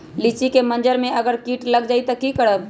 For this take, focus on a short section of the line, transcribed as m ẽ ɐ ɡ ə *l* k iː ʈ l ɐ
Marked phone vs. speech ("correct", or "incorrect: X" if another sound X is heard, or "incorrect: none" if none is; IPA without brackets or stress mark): incorrect: ɾ